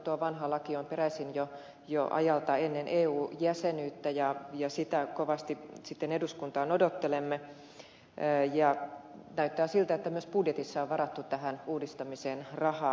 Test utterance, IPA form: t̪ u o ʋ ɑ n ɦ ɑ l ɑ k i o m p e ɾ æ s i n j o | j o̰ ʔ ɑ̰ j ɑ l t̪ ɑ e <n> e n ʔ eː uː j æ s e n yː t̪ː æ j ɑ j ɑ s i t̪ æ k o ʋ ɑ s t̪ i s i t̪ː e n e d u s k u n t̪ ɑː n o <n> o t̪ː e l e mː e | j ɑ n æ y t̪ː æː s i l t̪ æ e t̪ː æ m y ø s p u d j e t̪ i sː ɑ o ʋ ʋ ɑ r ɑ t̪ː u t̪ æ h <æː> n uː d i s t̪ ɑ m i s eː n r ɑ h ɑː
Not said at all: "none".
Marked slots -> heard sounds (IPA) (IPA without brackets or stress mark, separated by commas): nː, d, æ